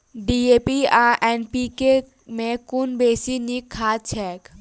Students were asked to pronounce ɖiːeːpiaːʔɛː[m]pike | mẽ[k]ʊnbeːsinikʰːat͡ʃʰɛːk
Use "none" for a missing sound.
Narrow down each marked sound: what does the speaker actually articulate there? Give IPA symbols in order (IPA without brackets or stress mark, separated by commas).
n, k